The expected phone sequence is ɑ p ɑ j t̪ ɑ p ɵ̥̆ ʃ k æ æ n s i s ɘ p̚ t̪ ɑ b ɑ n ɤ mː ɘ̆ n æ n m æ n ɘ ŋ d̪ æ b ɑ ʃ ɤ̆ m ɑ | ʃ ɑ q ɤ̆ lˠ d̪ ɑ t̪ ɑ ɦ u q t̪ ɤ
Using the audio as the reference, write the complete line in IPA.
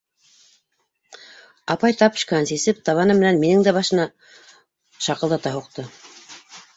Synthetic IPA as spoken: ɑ p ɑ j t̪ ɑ p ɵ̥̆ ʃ k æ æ n s i s ɘ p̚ t̪ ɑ β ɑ n ɤ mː ɘ̆ n æ n m i n ɘ ŋ d̪ æ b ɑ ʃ ɤ̆ n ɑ | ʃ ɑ q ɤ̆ lˠ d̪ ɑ t̪ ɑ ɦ u q t̪ ɤ